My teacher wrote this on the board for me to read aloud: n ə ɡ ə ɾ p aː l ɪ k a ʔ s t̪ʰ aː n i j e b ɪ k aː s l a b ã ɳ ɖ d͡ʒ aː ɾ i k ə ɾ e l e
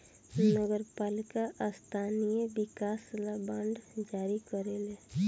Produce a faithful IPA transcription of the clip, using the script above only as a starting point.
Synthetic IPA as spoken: n ə ɡ ə ɾ p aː l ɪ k a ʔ s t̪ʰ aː n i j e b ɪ k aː s l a b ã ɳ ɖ d͡ʒ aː ɾ i k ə ɾ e l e